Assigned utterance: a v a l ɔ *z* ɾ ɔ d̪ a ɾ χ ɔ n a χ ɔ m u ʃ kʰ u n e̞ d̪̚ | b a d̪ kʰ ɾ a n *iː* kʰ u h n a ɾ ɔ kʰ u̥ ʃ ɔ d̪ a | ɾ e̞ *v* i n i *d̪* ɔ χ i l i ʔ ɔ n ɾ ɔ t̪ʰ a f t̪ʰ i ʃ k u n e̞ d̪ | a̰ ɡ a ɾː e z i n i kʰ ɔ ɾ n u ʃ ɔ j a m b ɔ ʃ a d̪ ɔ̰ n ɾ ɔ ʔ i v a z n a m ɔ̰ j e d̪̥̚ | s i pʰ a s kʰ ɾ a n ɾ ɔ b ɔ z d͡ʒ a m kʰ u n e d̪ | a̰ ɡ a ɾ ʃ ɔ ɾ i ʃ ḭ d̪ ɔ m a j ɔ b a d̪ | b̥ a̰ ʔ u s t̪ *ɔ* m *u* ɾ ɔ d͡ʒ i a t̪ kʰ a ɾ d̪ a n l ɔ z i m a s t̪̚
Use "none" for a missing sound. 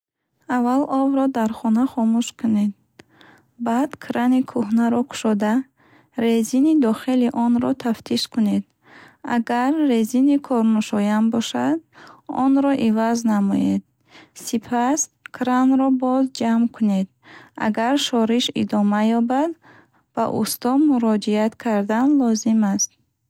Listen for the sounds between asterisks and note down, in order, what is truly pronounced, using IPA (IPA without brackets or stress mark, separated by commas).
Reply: v, i, z, d̪, ɔ, u